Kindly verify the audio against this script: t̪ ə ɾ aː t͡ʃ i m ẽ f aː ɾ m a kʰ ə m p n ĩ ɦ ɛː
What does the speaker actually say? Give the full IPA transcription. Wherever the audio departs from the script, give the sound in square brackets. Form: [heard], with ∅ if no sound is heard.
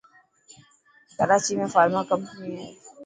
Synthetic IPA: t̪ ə ɾ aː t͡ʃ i m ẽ f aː ɾ m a [k] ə m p n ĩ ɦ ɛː